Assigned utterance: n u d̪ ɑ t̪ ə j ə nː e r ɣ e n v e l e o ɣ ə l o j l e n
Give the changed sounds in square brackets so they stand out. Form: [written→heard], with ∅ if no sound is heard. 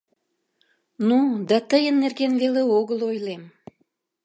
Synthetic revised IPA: n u d̪ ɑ t̪ ə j ə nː e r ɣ e n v e l e o ɣ ə l o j l e [n→m]